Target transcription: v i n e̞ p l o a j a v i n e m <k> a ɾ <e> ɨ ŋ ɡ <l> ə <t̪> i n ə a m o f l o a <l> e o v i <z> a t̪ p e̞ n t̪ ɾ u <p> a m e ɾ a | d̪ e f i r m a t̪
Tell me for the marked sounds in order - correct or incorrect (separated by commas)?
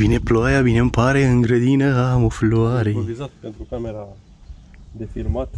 incorrect, correct, incorrect, incorrect, incorrect, correct, incorrect